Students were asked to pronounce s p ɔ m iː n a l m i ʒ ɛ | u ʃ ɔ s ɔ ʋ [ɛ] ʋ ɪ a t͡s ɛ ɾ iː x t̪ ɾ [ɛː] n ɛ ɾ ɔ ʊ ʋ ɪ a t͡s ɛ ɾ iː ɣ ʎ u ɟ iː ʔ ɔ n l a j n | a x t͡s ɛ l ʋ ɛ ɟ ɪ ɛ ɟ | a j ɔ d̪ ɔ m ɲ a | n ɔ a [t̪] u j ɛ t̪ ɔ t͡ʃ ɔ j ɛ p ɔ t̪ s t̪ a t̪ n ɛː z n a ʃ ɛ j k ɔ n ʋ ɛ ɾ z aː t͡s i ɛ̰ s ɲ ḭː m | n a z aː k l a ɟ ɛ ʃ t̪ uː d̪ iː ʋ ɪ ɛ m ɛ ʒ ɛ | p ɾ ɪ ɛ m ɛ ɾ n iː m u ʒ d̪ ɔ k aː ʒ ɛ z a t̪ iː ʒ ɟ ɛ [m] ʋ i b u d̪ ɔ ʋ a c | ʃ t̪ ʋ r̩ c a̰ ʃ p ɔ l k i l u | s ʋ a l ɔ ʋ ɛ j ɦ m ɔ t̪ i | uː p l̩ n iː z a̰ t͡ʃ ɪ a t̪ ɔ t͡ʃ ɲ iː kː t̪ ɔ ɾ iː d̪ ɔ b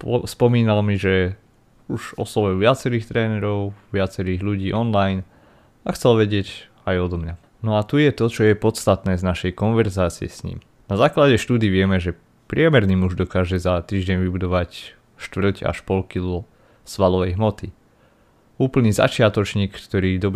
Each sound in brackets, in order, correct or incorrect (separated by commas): correct, correct, correct, incorrect